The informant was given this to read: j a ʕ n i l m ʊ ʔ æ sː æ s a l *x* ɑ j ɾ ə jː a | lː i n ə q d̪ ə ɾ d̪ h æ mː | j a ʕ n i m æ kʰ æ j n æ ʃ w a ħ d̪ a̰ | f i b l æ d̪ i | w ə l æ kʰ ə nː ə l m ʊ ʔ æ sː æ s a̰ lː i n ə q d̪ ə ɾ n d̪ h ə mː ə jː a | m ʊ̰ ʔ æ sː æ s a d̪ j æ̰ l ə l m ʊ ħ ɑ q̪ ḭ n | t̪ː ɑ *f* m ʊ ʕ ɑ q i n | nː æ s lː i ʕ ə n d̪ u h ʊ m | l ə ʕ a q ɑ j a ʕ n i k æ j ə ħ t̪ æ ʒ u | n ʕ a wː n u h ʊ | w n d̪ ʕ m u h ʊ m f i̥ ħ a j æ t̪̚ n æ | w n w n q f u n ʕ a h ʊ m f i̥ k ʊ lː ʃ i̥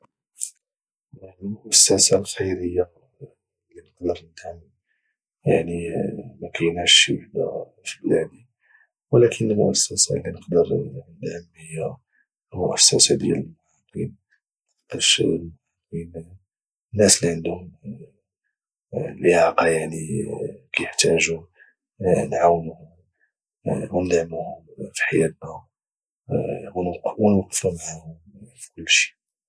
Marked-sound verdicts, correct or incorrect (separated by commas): correct, incorrect